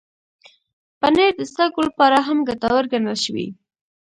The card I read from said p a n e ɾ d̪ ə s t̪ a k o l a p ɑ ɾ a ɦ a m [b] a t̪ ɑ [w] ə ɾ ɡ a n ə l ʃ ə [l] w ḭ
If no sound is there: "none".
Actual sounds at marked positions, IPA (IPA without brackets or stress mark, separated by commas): ɡ, w, none